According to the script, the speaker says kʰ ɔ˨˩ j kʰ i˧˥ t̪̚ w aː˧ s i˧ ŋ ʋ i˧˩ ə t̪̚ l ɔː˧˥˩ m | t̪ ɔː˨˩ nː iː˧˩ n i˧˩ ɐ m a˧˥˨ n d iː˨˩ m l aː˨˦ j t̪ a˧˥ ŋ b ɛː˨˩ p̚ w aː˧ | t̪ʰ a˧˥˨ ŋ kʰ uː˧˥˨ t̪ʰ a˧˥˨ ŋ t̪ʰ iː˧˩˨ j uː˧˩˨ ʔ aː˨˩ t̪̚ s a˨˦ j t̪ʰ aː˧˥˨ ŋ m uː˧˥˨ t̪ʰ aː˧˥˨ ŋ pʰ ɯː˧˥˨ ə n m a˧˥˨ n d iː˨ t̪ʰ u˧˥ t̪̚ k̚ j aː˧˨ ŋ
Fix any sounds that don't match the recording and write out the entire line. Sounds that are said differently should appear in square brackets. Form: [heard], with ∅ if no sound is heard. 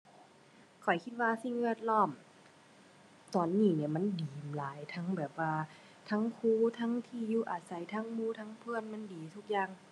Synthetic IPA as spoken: kʰ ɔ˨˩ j kʰ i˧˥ t̪̚ w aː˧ s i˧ ŋ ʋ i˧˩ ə t̪̚ l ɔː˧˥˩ m | t̪ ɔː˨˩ nː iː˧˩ n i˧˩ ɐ m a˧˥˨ n d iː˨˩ m l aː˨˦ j [t̪ʰ] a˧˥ ŋ b ɛː˨˩ p̚ w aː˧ | t̪ʰ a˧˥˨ ŋ kʰ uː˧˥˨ t̪ʰ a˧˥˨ ŋ t̪ʰ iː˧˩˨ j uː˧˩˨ ʔ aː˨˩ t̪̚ s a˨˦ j t̪ʰ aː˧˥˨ ŋ m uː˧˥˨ t̪ʰ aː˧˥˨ ŋ pʰ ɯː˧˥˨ ə n m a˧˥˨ n d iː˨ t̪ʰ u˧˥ [∅] k̚ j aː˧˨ ŋ